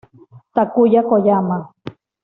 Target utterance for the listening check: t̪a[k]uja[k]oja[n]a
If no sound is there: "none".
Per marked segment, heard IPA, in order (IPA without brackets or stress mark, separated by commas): k, k, m